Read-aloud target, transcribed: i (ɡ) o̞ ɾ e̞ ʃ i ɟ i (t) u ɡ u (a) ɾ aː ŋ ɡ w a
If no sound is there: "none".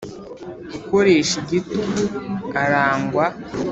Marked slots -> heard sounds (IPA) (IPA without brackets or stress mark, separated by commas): k, t, a